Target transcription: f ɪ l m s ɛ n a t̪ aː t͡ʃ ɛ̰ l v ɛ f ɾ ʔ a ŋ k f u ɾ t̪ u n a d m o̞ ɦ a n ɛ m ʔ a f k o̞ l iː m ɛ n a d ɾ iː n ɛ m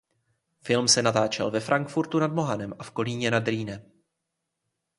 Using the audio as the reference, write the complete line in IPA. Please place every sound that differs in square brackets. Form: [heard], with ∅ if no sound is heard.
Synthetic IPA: f ɪ l m s ɛ n a t̪ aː t͡ʃ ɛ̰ l v ɛ f ɾ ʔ a ŋ k f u ɾ t̪ u n a d m o̞ ɦ a n ɛ m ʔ a f k o̞ l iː [ɲ] ɛ n a d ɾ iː n ɛ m